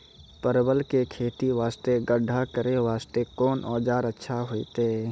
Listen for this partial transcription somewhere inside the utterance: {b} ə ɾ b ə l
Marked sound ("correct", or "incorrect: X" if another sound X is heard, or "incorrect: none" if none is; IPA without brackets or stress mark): incorrect: p